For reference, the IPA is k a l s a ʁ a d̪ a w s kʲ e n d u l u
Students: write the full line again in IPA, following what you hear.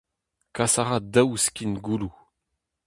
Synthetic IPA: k a s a ʁ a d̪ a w s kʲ i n ɡ u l u